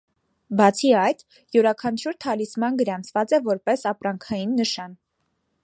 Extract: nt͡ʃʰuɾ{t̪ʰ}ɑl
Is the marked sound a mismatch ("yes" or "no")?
no